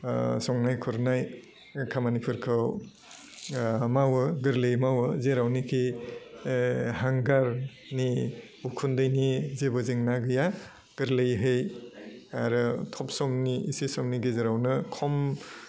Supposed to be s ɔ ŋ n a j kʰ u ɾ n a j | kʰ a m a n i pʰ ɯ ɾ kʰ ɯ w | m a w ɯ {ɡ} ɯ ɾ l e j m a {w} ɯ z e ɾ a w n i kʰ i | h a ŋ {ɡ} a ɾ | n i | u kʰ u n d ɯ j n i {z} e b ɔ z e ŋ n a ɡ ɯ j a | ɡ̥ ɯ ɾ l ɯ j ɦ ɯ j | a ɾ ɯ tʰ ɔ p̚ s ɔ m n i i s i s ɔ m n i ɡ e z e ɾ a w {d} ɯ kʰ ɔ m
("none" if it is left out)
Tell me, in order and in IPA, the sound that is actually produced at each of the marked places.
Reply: ɡ, w, ɡ, z, n

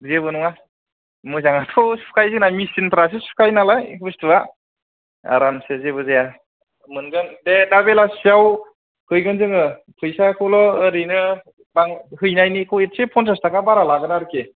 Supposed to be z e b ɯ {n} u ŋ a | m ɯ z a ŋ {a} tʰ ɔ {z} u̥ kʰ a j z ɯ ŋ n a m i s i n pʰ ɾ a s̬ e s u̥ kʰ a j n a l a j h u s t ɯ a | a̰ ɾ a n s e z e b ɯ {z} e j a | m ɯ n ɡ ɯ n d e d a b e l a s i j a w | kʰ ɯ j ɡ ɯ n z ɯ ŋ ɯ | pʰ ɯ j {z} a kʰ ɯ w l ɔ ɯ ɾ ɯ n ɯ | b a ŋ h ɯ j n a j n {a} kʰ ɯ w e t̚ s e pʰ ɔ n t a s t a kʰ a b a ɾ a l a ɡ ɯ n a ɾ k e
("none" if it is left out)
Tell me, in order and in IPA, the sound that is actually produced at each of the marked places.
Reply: n, a, s, z, s, i

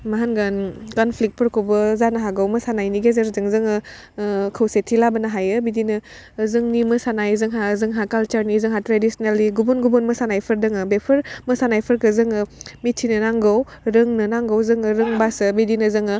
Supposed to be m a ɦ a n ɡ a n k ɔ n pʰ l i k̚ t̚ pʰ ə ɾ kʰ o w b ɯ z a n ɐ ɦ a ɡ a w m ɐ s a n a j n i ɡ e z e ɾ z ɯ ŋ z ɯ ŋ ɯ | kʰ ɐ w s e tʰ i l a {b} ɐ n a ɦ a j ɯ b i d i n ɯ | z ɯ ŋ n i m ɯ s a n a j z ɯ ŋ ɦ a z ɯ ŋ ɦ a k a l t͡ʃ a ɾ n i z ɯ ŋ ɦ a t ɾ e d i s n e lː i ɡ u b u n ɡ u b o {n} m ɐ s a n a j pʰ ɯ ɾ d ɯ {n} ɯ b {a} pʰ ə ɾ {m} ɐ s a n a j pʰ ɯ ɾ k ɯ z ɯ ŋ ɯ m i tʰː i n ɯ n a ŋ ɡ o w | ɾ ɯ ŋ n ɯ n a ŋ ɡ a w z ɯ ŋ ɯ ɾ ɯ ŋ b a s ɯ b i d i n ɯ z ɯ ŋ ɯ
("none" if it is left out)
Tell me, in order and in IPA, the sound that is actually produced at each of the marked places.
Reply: b, n, ŋ, e, m

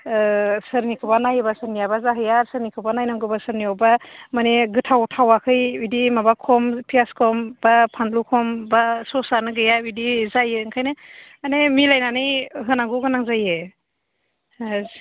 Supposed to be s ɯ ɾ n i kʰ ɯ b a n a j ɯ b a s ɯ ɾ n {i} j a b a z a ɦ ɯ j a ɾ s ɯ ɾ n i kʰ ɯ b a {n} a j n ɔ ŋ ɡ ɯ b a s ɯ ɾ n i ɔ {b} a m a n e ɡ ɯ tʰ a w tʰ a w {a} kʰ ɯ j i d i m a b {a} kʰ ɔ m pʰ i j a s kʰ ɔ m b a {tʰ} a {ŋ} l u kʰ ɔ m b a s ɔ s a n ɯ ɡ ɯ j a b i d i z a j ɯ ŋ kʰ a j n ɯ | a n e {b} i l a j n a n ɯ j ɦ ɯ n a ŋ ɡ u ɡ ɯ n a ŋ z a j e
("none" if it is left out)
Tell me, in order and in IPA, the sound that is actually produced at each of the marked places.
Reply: i, n, b, a, a, pʰ, n, m

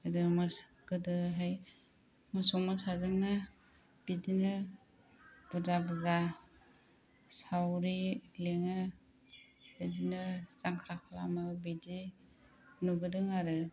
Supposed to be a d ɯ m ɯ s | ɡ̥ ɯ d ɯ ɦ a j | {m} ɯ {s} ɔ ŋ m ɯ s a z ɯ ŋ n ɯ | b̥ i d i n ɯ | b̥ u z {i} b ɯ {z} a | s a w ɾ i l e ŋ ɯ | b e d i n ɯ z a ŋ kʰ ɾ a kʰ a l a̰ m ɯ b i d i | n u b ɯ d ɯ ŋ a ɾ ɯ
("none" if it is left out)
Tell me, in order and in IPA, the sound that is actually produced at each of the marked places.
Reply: m, s, a, z

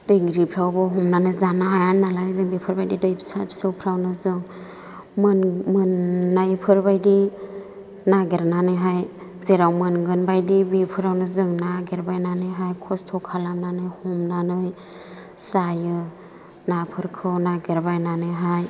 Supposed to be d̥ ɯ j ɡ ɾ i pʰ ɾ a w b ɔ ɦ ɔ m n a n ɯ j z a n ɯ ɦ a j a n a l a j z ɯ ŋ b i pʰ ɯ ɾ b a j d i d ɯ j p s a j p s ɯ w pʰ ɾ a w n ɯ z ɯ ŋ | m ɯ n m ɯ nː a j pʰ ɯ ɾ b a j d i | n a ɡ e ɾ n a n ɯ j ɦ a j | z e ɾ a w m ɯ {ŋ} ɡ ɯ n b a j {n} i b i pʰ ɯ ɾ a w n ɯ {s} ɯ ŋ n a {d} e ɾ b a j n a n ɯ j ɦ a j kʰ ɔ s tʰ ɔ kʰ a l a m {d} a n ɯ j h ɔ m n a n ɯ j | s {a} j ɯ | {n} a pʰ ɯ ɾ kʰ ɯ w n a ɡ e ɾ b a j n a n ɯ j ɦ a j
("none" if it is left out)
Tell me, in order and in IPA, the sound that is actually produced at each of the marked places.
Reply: n, d, z, ɡ, n, a, n

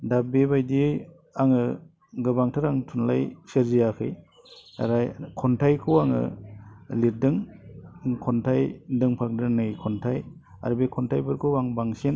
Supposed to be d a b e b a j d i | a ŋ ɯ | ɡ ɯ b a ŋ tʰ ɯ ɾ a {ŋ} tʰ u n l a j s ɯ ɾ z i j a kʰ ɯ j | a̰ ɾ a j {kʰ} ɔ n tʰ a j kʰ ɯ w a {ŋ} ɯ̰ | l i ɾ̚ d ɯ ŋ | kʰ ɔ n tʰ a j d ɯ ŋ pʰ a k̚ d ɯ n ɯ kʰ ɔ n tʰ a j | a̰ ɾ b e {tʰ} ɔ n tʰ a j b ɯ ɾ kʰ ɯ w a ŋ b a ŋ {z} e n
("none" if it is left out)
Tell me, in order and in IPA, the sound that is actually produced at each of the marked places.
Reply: ŋ, kʰ, ŋ, kʰ, s

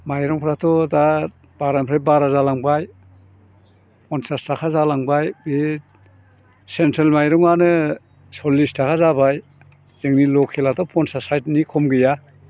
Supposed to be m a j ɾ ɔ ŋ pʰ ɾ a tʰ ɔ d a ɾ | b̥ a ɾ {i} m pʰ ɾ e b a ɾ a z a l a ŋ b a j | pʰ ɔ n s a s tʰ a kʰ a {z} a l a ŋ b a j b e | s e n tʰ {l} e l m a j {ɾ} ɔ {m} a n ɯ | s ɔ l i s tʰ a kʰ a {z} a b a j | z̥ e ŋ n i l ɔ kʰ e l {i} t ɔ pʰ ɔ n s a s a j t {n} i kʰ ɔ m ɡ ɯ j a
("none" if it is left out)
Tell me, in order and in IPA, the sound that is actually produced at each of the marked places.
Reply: a, z, ɾ, ɾ, ŋ, z, a, n

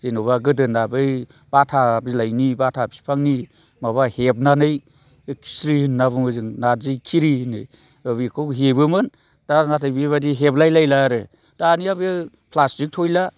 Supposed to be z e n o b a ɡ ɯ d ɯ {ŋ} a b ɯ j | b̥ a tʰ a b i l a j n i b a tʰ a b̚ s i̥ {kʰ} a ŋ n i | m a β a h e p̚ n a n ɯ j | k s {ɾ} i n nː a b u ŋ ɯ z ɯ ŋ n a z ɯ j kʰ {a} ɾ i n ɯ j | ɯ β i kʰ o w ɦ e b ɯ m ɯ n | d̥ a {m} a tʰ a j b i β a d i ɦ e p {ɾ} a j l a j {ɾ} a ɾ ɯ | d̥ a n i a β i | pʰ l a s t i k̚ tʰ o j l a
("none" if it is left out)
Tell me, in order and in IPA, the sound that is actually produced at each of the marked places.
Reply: n, pʰ, ɾ, i, n, l, l

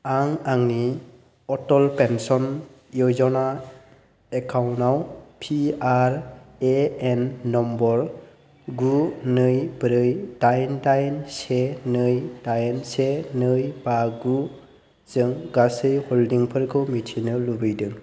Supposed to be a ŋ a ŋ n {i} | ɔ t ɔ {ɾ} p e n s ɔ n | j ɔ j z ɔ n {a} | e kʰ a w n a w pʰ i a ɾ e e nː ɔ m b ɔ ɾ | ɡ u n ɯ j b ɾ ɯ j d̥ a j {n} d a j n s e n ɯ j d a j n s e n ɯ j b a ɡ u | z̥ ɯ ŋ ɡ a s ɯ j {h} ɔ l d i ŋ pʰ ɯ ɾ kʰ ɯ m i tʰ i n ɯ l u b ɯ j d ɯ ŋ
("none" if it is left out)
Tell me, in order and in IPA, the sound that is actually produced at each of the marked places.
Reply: i, l, a, n, h

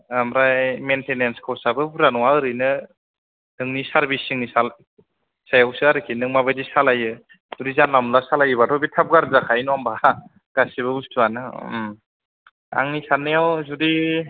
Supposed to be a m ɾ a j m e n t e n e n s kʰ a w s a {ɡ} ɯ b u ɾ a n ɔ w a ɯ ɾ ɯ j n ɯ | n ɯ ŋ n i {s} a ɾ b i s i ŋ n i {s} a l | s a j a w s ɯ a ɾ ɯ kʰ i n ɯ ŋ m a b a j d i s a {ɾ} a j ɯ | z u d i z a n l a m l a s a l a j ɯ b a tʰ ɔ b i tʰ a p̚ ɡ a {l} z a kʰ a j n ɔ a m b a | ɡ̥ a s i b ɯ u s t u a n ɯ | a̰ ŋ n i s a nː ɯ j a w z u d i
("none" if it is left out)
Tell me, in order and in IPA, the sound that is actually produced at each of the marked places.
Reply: b, s, s, l, ɾ

